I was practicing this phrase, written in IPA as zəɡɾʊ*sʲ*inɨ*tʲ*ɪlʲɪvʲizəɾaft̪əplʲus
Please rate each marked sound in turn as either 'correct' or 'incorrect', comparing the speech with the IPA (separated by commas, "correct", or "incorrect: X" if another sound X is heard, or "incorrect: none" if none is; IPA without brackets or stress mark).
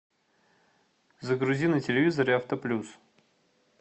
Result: incorrect: zʲ, correct